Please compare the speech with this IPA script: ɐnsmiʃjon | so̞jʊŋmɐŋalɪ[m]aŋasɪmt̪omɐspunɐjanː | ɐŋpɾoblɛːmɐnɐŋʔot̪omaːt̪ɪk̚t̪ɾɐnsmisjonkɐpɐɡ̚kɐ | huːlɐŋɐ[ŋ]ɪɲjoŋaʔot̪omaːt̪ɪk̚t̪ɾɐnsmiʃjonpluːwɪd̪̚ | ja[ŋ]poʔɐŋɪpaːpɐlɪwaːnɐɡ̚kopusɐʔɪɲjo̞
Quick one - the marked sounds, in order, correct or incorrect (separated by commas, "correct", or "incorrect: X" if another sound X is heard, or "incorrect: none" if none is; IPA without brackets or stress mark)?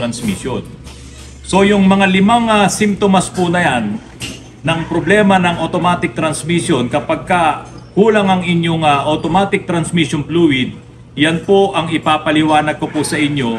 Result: correct, correct, incorrect: n